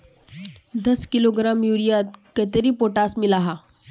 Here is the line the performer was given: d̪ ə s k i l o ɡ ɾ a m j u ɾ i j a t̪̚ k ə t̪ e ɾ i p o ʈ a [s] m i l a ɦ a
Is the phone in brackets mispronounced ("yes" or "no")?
no